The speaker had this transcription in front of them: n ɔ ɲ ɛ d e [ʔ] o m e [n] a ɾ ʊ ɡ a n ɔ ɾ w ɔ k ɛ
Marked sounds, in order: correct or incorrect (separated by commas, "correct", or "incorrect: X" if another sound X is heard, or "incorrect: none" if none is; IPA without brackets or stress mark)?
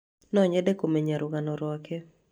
incorrect: k, incorrect: ɲ